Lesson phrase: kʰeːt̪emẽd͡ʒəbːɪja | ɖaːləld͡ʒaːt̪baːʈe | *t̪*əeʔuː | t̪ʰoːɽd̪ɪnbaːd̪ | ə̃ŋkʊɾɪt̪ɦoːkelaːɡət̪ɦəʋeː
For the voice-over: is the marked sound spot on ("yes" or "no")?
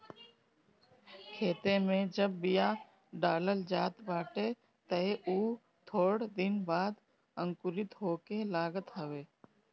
yes